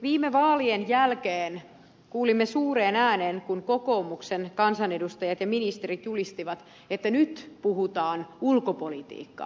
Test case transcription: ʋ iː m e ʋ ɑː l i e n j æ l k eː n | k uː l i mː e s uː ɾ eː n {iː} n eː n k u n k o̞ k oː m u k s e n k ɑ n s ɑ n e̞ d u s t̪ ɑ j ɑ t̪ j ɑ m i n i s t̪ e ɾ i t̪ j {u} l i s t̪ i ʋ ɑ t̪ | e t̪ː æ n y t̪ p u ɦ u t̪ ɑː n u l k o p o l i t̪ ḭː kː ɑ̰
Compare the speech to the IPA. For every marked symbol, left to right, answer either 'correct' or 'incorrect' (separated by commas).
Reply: incorrect, correct